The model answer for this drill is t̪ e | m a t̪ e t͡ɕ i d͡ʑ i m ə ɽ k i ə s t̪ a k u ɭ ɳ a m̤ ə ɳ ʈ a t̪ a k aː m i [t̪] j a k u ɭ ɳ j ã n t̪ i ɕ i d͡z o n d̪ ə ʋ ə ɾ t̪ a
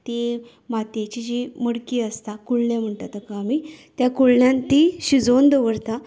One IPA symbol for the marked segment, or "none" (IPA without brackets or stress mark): t̪